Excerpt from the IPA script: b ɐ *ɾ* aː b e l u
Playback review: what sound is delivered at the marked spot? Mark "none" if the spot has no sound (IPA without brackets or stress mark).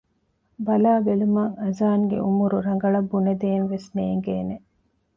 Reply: l